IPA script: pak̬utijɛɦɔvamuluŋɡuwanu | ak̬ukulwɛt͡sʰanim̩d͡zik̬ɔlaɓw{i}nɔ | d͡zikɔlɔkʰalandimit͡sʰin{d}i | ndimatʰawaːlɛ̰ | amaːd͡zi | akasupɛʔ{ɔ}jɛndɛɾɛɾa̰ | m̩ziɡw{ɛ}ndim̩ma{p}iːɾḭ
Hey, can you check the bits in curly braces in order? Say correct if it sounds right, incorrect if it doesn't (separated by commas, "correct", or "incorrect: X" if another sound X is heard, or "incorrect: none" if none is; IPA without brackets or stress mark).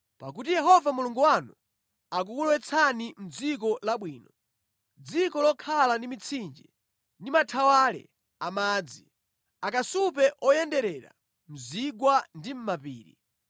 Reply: incorrect: iː, incorrect: d͡ʒ, correct, incorrect: a, correct